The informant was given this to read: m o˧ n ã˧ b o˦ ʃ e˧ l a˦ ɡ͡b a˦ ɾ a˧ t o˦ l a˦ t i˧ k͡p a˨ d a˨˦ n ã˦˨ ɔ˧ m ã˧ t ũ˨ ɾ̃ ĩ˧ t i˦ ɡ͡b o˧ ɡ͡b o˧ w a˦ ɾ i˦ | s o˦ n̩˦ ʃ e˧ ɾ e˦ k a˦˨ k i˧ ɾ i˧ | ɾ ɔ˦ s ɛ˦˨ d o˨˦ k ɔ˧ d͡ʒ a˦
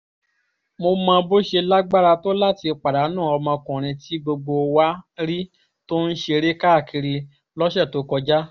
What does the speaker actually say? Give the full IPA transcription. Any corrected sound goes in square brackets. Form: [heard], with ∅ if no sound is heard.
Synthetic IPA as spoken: m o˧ [m] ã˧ b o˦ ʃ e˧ l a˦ ɡ͡b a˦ ɾ a˧ t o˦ l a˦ t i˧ k͡p a˨ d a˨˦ n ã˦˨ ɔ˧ m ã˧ [k] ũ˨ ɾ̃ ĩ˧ t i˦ ɡ͡b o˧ ɡ͡b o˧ w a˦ ɾ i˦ | [t] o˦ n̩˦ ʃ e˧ ɾ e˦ k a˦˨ k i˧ ɾ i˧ | [l] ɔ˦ [ʃ] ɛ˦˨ [t] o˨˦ k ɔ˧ d͡ʒ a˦